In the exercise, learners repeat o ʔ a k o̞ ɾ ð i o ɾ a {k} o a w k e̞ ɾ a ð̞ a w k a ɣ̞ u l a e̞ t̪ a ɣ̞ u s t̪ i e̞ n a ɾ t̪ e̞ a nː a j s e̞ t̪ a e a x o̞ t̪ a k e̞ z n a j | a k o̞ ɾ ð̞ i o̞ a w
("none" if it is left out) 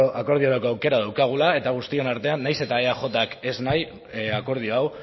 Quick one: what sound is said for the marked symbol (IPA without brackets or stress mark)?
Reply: k